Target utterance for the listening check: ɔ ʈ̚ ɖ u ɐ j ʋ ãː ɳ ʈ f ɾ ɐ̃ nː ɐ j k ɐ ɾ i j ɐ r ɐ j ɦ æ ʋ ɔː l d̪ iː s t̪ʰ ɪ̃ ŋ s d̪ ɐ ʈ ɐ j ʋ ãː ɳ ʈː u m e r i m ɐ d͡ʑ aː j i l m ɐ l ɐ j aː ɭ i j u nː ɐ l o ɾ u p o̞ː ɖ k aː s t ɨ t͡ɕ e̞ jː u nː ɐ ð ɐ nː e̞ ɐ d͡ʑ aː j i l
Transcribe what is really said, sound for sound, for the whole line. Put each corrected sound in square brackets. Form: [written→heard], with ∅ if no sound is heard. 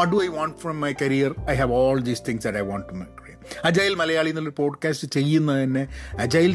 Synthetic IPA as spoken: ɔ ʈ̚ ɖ u ɐ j ʋ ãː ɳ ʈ f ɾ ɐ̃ [nː→mː] ɐ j k ɐ ɾ i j ɐ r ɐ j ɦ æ ʋ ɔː l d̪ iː s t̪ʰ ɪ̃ ŋ s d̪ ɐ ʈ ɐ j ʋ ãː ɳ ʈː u m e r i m ɐ d͡ʑ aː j i l m ɐ l ɐ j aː ɭ i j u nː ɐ l o ɾ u p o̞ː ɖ k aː s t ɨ t͡ɕ e̞ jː u nː ɐ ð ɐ nː e̞ ɐ d͡ʑ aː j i l